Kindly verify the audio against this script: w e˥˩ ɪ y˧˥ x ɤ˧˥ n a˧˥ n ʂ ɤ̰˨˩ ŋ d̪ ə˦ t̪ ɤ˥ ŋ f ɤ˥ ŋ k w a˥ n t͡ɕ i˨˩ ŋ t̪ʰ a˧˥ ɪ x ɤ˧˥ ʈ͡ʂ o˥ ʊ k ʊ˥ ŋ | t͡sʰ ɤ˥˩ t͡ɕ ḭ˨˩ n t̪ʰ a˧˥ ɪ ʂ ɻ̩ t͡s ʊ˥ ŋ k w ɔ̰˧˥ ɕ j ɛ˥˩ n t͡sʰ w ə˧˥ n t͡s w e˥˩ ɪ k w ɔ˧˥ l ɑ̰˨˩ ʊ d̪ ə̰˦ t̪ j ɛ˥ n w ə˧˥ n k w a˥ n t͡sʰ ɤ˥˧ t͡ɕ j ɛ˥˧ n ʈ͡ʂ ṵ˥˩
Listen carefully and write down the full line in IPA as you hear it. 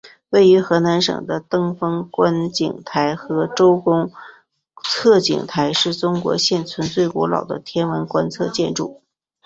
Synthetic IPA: w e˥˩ ɪ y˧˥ x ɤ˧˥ n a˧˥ n ʂ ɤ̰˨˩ ŋ d̪ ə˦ t̪ ɤ˥ ŋ f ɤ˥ ŋ k w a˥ n t͡ɕ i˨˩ ŋ t̪ʰ a˧˥ ɪ x ɤ˧˥ ʈ͡ʂ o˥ ʊ k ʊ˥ ŋ | t͡sʰ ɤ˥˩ t͡ɕ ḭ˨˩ ŋ t̪ʰ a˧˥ ɪ ʂ ɻ̩ t͡s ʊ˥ ŋ k w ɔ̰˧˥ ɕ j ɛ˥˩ n t͡sʰ w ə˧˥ n t͡s w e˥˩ ɪ k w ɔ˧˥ l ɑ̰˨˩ ʊ d̪ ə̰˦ t̪ʰ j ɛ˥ n w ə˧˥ n k w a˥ n t͡sʰ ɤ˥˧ t͡ɕ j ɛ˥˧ n ʈ͡ʂ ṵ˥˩